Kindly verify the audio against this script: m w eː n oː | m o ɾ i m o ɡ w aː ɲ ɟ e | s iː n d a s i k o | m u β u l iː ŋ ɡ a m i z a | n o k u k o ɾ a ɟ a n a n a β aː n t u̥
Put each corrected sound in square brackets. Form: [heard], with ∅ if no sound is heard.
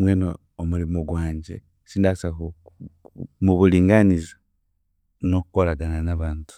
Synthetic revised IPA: m w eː n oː | m [u] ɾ i m o ɡ w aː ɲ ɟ e | s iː n d a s [a] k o | m u β u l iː ŋ ɡ a [n] i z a | n o k u k o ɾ a [ɡ] a n a n a β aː n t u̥